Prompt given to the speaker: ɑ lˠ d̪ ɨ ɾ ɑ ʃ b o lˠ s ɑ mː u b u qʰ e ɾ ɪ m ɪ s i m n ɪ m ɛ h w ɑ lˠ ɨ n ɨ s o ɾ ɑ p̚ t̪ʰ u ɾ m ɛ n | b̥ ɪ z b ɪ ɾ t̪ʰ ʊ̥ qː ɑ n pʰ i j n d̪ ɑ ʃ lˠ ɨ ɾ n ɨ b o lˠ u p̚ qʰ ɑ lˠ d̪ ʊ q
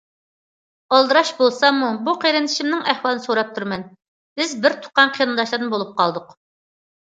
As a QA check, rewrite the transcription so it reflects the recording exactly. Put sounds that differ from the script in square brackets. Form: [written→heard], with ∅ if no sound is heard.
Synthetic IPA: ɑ lˠ d̪ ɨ ɾ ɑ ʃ b o lˠ s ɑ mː u b u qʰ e ɾ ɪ [m→n] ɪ [s→ʃ] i m n ɪ [m→ŋ] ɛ h w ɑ lˠ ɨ n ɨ s o ɾ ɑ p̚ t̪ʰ u ɾ m ɛ n | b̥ ɪ z b ɪ ɾ t̪ʰ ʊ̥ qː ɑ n [pʰ→qʰ] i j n d̪ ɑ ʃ lˠ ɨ ɾ n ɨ b o lˠ u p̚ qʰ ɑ lˠ d̪ ʊ q